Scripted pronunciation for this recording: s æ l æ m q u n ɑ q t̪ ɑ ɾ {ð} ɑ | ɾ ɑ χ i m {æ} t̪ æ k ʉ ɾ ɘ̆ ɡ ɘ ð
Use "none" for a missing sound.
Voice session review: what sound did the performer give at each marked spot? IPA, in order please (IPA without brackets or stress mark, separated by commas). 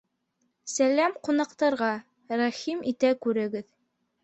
ʁ, i